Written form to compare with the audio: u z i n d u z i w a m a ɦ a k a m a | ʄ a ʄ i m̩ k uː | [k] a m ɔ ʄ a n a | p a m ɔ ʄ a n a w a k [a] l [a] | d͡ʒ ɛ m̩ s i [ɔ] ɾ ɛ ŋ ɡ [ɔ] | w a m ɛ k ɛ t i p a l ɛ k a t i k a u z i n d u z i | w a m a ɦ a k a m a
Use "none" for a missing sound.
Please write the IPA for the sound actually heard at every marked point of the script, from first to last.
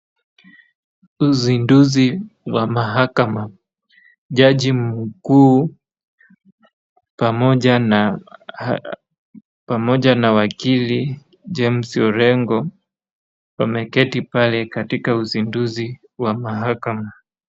p, i, i, ɔ, ɔ

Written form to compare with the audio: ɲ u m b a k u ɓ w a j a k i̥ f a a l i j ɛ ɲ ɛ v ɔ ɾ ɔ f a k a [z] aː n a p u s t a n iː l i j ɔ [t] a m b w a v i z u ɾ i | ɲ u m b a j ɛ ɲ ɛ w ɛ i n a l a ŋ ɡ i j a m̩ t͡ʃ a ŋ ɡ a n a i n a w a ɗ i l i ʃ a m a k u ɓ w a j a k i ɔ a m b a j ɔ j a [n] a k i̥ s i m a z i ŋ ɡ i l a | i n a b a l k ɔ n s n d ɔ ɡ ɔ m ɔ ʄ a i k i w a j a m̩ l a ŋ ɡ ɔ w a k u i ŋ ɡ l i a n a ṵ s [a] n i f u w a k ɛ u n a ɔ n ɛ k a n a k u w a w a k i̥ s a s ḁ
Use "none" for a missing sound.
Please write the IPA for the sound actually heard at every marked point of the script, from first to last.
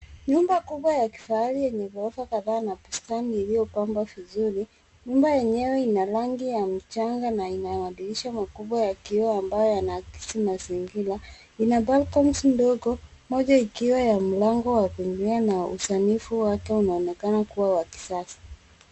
ð, p, n, a

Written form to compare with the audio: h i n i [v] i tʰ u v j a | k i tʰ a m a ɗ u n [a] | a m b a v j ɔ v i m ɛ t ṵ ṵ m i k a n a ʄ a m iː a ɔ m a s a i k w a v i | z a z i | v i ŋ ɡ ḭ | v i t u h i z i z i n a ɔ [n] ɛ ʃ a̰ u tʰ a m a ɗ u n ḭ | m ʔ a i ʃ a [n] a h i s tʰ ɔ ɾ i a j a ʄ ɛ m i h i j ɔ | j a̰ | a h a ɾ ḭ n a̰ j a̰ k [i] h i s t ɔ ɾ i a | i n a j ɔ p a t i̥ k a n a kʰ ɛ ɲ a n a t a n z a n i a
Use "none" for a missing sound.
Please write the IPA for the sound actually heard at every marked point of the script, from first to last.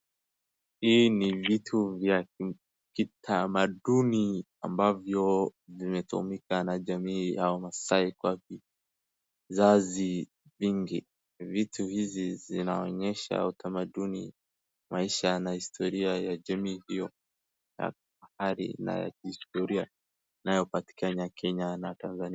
v, i, ɲ, n, i

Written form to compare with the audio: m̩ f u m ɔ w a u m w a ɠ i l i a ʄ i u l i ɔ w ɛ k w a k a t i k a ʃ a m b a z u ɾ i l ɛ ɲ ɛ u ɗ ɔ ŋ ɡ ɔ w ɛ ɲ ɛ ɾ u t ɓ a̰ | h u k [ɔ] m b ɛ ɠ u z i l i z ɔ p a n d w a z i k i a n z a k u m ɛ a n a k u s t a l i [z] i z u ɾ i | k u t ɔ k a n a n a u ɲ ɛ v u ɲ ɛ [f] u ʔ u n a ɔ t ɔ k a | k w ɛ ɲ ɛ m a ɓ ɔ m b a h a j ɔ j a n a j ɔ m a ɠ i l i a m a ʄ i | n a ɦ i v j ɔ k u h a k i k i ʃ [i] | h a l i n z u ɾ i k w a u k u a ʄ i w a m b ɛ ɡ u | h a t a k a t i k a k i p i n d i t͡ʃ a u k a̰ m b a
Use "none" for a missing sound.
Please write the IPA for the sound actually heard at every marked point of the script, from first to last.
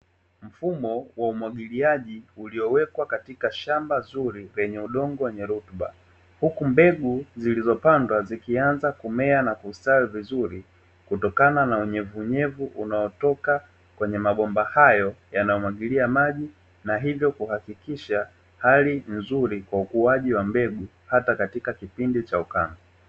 u, v, v, a

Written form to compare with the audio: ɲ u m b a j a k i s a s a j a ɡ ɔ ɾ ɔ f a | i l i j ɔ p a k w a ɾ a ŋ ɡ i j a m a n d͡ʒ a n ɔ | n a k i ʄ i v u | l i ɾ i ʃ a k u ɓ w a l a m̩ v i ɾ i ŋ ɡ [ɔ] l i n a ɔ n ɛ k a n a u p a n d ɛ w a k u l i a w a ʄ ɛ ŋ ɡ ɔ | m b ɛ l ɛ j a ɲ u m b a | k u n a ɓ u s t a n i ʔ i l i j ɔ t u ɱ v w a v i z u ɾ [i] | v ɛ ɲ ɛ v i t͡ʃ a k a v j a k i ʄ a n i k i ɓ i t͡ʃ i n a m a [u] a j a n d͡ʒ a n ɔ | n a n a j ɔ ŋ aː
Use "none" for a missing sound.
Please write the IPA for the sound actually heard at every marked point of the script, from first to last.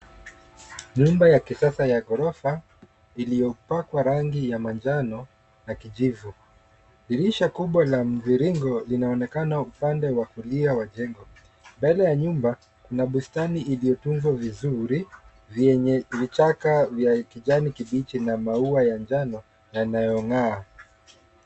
ɔ, i, u

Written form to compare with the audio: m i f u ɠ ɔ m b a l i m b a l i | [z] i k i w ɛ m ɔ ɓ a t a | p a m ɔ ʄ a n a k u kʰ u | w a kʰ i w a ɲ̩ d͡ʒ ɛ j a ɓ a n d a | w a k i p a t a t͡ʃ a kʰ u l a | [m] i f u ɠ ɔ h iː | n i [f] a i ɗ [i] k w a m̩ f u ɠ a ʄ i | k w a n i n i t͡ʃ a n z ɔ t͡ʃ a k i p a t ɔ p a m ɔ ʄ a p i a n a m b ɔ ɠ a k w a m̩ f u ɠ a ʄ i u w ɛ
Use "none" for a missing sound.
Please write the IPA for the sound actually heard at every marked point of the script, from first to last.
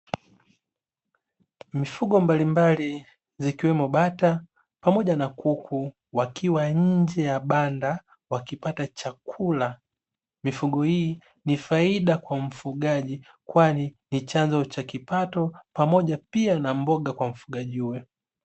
z, m, f, a

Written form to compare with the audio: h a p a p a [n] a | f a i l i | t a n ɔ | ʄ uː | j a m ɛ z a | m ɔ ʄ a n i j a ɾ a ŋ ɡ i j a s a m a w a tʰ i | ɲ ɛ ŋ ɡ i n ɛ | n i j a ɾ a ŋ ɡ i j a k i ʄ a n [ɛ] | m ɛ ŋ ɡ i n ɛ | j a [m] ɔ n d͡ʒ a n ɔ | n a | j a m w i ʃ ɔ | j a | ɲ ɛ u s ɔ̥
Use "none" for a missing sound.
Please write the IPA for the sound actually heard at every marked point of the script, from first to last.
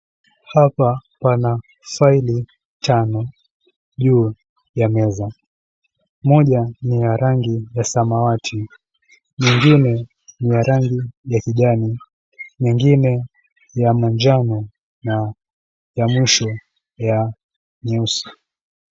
n, i, m

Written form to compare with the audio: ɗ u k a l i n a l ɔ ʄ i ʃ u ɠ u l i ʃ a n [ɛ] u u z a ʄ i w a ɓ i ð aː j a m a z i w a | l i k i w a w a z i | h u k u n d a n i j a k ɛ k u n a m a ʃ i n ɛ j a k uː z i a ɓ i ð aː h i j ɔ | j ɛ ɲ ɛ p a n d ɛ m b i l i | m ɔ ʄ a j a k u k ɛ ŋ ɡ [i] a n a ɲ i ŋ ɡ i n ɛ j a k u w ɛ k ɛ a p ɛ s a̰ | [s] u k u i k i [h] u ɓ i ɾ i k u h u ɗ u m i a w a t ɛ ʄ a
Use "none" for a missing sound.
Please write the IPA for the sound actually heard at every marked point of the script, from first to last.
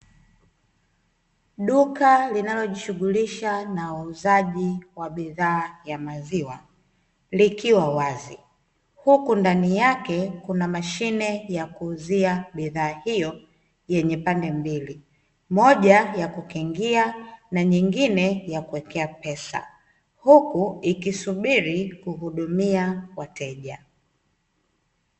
a, i, h, s

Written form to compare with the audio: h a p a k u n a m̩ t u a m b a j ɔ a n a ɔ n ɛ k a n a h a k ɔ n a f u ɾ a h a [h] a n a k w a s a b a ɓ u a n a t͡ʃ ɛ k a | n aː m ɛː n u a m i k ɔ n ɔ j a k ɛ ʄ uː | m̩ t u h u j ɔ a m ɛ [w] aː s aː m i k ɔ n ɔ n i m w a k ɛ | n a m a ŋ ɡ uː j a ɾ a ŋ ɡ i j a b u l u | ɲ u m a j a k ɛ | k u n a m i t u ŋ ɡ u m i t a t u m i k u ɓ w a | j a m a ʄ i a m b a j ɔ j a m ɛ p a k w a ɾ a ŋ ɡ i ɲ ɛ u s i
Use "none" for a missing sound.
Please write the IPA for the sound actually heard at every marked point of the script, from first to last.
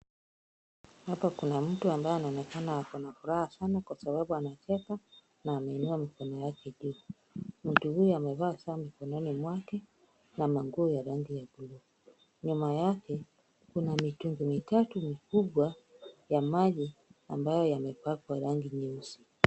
s, v

